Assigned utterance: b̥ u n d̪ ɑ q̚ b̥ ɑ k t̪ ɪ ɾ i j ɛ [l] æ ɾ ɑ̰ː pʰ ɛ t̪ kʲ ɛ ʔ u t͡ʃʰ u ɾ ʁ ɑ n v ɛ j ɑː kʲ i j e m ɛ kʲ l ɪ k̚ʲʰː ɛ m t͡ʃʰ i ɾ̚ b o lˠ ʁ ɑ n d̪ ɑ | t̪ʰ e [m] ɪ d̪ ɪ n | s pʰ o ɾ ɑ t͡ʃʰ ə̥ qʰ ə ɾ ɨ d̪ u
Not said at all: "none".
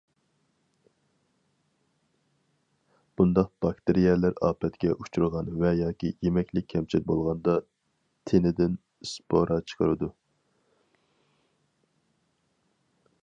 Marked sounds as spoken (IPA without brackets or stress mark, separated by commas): l, n